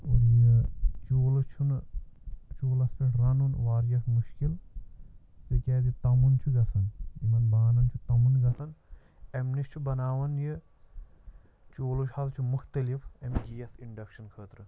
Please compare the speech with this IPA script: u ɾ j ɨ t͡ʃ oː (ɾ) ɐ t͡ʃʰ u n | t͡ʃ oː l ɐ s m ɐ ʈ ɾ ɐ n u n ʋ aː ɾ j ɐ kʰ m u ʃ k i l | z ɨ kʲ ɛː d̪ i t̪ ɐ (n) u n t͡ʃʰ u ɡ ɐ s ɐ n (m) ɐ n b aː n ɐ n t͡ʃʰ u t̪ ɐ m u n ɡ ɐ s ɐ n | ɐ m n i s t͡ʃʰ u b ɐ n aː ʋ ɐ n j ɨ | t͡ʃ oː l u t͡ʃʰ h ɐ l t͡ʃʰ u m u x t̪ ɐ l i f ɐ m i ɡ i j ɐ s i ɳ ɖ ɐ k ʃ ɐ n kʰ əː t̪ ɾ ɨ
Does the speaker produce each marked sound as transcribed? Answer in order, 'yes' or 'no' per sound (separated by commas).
no, no, yes